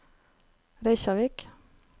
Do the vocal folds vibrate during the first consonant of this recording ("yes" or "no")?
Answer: yes